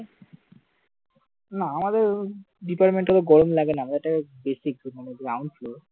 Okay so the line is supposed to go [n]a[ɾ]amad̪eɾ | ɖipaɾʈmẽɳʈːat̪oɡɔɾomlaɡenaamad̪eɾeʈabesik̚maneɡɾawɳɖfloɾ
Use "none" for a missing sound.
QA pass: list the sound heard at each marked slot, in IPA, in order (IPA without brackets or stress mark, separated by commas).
n, none